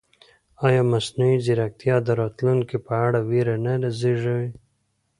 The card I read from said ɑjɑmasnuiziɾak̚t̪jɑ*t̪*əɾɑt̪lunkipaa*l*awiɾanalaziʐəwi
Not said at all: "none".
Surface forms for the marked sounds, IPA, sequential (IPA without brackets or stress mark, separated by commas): d̪, ɽ